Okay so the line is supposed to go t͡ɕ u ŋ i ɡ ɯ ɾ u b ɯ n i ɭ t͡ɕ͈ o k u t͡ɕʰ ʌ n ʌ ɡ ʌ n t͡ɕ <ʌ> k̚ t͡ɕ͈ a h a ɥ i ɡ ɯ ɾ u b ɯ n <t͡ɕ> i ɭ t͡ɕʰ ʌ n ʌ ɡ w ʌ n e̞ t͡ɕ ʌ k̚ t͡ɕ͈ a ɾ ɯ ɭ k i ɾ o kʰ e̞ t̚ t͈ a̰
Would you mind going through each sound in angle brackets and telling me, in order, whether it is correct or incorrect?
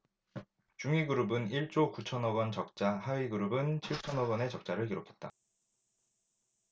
correct, incorrect

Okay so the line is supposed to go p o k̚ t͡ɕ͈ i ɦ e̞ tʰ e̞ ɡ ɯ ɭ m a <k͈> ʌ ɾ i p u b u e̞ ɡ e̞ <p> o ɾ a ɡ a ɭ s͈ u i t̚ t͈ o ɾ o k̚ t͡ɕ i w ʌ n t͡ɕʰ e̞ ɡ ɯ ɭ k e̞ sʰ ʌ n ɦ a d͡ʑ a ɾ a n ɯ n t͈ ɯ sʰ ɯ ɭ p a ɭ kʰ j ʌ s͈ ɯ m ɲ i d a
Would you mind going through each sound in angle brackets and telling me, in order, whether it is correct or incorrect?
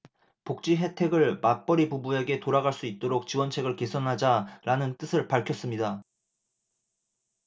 incorrect, incorrect

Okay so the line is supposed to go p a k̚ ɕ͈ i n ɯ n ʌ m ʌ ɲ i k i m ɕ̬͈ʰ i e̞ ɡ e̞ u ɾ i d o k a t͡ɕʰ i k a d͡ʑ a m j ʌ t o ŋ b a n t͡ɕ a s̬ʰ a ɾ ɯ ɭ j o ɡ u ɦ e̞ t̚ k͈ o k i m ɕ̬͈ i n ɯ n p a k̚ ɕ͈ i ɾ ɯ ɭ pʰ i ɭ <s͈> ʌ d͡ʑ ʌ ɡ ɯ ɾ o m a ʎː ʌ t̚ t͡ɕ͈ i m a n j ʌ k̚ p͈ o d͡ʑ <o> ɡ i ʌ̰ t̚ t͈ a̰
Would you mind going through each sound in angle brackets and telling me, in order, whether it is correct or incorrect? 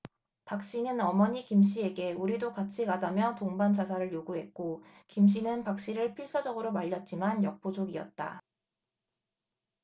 correct, correct

